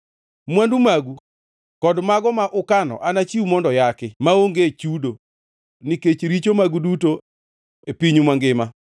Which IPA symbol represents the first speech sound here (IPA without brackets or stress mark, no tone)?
m